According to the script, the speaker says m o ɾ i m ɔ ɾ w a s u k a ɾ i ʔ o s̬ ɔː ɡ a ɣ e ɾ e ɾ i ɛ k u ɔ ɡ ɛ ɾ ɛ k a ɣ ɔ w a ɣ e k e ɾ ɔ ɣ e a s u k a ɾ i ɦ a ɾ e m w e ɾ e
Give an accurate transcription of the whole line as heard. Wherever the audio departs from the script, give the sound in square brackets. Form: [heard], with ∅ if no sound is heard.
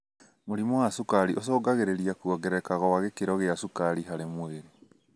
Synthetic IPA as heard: m o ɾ i m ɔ [∅] w a s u k a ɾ i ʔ o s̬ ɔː ɡ a ɣ e ɾ e ɾ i [a] k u ɔ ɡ ɛ ɾ ɛ k a ɣ ɔ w a ɣ e k e ɾ ɔ ɣ e a s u k a ɾ i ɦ a ɾ e m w e ɾ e